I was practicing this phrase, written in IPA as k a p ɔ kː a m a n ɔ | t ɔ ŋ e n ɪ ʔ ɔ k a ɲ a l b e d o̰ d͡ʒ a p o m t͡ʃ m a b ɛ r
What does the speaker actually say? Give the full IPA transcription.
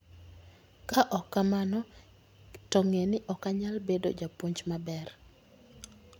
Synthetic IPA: k a ʔ ɔ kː a m a n ɔ | t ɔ ŋ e n ɪ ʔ ɔ k a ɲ a l b e d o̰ d͡ʒ a p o ɲ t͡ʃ m a b ɛ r